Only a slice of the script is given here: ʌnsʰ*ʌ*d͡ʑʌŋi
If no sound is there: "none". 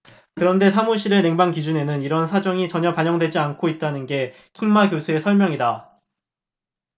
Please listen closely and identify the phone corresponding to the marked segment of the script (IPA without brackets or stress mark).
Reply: a